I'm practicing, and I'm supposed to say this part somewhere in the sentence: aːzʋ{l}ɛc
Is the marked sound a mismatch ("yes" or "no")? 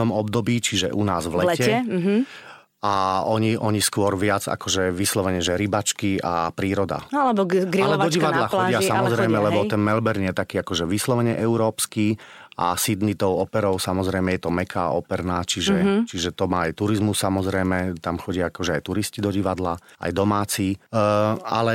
no